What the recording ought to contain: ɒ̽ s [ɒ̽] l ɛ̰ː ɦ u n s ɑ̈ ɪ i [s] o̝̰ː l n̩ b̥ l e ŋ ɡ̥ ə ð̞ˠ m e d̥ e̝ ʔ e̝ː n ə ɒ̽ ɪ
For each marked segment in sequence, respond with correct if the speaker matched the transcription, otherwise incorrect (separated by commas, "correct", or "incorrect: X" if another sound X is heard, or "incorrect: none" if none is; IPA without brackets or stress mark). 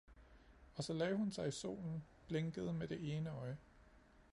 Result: correct, correct